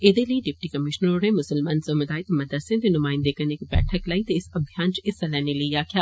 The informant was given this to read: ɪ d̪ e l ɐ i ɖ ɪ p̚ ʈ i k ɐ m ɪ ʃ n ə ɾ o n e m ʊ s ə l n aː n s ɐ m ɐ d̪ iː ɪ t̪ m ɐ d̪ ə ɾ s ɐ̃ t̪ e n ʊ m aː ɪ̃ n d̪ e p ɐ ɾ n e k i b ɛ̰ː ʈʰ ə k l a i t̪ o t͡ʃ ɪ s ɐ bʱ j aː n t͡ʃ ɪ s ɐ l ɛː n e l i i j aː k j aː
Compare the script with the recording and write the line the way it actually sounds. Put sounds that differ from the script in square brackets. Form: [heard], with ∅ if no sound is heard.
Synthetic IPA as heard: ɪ d̪ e l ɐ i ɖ ɪ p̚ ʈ i k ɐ m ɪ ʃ n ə ɾ o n e m ʊ s ə l [m] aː n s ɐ m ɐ d̪ [aː] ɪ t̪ m ɐ d̪ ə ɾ s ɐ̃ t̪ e n ʊ m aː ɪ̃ n d̪ e [k] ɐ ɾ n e k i b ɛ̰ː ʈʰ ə k l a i t̪ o [∅] ɪ s ɐ bʱ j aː n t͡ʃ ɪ s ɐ l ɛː n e l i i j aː k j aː